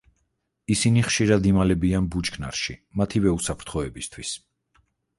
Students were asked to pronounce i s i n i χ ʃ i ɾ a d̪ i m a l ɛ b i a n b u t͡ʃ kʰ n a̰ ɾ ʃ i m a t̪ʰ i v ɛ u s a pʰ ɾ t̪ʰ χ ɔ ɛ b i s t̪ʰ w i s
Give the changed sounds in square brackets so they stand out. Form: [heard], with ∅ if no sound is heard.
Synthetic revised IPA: i s i n i χ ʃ i ɾ a d̪ i m a l ɛ b i a n b u t͡ʃ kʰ n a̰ ɾ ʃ i m a t̪ʰ i v ɛ u s a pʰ ɾ t̪ʰ χ ɔ ɛ b i s t̪ʰ w i s

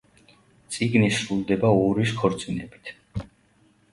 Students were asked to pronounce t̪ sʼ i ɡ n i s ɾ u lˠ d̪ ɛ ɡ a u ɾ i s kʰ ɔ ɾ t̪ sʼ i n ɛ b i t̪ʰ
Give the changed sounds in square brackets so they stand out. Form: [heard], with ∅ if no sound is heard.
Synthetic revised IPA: t̪ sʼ i ɡ n i s ɾ u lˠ d̪ ɛ [b] a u ɾ i s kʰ ɔ ɾ t̪ sʼ i n ɛ b i t̪ʰ

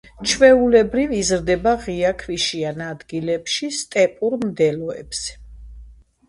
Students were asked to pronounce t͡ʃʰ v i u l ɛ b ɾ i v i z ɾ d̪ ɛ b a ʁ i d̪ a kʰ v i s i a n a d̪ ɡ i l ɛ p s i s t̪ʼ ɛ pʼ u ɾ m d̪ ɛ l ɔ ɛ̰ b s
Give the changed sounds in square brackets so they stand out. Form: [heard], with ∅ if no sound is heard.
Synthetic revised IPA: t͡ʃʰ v [ɛ] u l ɛ b ɾ i v i z ɾ d̪ ɛ b a ʁ i [∅] a kʰ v i [ʃ] i a n a d̪ ɡ i l ɛ p [ʃ] i s t̪ʼ ɛ pʼ u ɾ m d̪ ɛ l ɔ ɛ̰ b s

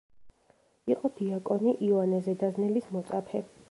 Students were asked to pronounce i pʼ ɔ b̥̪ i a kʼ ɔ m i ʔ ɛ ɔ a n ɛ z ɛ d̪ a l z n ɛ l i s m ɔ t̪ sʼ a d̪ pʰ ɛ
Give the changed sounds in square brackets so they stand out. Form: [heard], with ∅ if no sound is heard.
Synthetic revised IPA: i [qʼ] ɔ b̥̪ i a kʼ ɔ [n] i ʔ [i] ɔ a n ɛ z ɛ d̪ a [∅] z n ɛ l i s m ɔ t̪ sʼ a [∅] pʰ ɛ

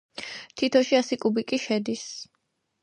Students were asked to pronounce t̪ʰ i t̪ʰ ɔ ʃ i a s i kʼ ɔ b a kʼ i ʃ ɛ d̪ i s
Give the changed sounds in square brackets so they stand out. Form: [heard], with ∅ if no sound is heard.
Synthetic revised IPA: t̪ʰ i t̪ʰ ɔ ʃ i a s i kʼ [u] b [i] kʼ i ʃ ɛ d̪ i s

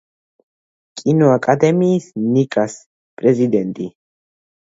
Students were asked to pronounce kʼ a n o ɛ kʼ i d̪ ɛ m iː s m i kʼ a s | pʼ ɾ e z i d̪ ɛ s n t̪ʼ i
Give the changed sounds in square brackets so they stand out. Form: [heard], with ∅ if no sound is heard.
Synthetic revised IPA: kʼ [i] n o [a] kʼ [a] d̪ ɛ m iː s [n] i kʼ a s | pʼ ɾ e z i d̪ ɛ [∅] n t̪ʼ i

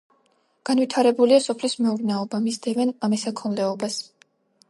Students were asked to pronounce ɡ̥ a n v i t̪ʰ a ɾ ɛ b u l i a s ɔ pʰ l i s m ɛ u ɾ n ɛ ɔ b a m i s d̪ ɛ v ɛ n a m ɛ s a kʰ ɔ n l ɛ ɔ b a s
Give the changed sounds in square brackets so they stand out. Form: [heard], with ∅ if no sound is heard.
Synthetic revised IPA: ɡ̥ a n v i t̪ʰ a ɾ ɛ b u l i a s ɔ pʰ l i s m ɛ u ɾ n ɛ ɔ b a m i s d̪ ɛ v ɛ n a m ɛ s a kʰ ɔ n l ɛ ɔ b a s

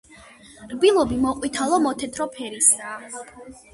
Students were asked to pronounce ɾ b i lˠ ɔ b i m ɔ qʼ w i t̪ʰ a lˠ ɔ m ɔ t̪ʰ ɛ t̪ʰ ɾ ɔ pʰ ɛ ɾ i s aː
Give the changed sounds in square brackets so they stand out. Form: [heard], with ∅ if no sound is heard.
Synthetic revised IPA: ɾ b i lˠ ɔ b i m ɔ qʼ w i t̪ʰ a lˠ ɔ m ɔ t̪ʰ ɛ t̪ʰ ɾ ɔ pʰ ɛ ɾ i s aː

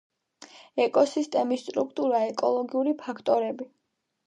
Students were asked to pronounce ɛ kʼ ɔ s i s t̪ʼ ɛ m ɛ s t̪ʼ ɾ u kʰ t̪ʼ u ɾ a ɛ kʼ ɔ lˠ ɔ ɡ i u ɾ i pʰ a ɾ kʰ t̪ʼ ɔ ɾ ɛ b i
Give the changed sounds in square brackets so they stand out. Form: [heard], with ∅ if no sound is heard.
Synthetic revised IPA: ɛ kʼ ɔ s i s t̪ʼ ɛ m [i] s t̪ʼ ɾ u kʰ t̪ʼ u ɾ a ɛ kʼ ɔ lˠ ɔ ɡ i u ɾ i pʰ a [∅] kʰ t̪ʼ ɔ ɾ ɛ b i

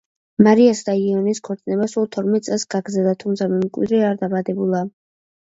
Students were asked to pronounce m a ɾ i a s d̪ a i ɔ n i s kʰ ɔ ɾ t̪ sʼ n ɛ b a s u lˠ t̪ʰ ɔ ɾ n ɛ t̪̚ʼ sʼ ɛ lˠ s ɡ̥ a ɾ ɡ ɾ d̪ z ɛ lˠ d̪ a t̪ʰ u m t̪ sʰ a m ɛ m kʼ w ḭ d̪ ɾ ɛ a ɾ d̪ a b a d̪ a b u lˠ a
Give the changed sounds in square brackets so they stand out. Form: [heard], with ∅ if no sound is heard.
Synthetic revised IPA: m a ɾ i a s d̪ a i ɔ n i s kʰ ɔ ɾ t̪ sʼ n ɛ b a s u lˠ t̪ʰ ɔ ɾ [m] ɛ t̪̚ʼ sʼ ɛ lˠ s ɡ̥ a [∅] ɡ ɾ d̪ z ɛ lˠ d̪ a t̪ʰ u m t̪ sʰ a m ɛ m kʼ w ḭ d̪ ɾ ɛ a ɾ d̪ a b a d̪ [ɛ] b u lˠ a

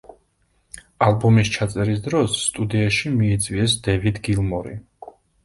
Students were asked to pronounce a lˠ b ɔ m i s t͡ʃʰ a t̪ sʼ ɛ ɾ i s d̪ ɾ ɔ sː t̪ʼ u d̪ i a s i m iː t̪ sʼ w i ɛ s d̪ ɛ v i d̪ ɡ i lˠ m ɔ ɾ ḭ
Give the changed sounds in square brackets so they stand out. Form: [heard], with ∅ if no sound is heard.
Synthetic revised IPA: a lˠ b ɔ m i s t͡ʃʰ a t̪ sʼ ɛ ɾ i s d̪ ɾ ɔ sː t̪ʼ u d̪ i a [ʃ] i m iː t̪ sʼ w i ɛ s d̪ ɛ v i d̪ ɡ i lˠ m ɔ ɾ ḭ

